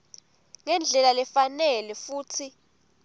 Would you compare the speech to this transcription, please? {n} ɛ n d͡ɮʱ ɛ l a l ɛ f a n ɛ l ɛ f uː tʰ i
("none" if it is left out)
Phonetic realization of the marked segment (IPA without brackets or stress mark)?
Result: ŋ